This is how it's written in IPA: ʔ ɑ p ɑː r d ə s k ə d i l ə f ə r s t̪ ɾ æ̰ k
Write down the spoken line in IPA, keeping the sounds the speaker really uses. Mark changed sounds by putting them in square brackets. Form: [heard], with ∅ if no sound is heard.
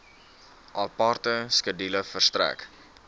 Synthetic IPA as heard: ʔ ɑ p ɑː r [t] ə s k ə d i l ə f ə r s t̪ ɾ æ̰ k